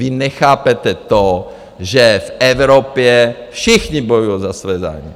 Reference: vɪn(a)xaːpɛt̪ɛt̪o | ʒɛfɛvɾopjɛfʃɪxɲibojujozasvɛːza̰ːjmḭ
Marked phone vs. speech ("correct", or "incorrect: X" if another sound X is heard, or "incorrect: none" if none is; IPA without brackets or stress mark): incorrect: ɛ